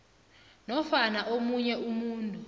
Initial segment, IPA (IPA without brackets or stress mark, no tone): n